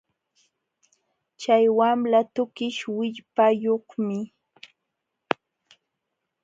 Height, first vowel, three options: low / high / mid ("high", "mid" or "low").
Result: low